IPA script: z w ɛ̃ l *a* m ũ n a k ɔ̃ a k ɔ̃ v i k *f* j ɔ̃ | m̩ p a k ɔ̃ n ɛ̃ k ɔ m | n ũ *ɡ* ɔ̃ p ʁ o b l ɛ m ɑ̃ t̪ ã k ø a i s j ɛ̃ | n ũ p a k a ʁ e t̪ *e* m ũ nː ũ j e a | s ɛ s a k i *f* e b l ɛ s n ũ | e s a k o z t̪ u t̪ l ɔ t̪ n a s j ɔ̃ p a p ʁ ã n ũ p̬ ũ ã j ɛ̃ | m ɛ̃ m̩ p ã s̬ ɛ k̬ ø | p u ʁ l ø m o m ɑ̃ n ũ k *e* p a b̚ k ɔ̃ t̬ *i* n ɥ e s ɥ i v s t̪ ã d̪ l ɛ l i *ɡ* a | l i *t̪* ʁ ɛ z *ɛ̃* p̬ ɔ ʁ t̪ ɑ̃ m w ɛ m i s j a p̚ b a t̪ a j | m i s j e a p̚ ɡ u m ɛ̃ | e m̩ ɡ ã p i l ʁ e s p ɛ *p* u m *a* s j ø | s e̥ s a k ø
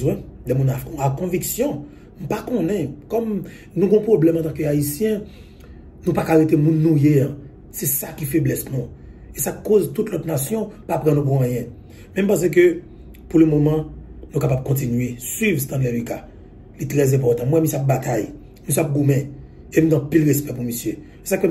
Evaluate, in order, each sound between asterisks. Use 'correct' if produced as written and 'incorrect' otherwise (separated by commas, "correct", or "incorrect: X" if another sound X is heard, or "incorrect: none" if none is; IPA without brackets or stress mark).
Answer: incorrect: ɛ, incorrect: s, correct, correct, correct, incorrect: a, correct, incorrect: k, correct, correct, correct, incorrect: i